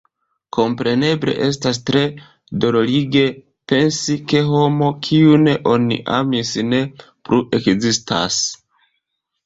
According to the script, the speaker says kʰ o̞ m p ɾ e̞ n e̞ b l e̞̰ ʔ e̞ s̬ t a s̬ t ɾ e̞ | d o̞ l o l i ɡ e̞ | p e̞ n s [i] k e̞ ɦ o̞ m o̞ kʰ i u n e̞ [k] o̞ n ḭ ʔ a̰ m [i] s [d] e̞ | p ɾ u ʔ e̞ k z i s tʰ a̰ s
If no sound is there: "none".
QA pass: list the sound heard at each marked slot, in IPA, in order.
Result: i, ʔ, i, n

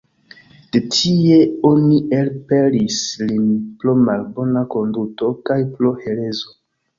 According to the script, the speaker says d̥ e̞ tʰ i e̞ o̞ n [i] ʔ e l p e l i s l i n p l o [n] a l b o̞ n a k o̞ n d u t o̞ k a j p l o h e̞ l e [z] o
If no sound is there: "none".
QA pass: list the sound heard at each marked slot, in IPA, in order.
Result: i, m, z

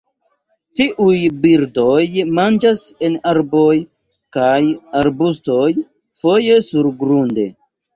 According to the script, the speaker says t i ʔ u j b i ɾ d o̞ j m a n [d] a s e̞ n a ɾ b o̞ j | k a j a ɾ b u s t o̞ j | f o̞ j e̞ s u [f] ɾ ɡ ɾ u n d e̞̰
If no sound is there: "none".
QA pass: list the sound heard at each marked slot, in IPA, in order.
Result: d͡ʒ, none

